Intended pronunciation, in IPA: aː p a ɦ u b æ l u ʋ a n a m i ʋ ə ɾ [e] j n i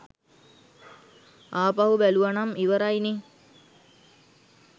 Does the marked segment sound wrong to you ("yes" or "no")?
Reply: yes